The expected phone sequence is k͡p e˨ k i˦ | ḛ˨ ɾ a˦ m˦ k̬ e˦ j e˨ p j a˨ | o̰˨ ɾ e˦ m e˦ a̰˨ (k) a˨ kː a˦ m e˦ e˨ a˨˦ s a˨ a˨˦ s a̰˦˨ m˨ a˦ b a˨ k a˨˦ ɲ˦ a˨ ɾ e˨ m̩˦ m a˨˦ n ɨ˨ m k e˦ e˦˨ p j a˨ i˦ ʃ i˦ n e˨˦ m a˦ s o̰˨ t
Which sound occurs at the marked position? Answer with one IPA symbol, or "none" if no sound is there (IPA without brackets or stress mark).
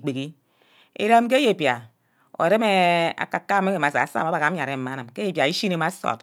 k